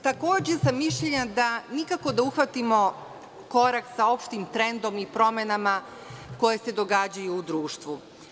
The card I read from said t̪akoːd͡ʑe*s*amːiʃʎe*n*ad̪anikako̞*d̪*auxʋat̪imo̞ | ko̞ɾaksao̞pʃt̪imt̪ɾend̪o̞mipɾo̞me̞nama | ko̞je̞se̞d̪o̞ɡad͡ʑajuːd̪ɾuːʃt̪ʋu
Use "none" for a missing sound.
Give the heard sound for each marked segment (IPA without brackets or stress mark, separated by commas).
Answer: s, ɲ, d̪